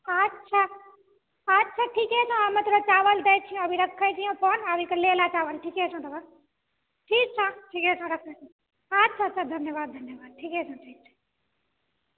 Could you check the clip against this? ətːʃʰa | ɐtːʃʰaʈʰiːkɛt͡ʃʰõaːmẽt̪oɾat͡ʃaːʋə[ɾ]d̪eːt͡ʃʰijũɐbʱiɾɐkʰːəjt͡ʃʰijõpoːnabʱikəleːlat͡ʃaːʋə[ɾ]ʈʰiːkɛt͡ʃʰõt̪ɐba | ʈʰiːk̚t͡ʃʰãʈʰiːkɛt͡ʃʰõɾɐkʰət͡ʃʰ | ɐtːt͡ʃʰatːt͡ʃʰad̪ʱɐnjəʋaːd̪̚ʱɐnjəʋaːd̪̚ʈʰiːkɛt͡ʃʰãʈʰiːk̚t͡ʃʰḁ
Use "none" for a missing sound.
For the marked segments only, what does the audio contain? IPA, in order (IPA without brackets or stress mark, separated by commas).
l, l